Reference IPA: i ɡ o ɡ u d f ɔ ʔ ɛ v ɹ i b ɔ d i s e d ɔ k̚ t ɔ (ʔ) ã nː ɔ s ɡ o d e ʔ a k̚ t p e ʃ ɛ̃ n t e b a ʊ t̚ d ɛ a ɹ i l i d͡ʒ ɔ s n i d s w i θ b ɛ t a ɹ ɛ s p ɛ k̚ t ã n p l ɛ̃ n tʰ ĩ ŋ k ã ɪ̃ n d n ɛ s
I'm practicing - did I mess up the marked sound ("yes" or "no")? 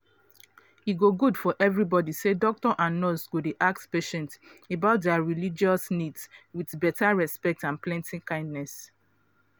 no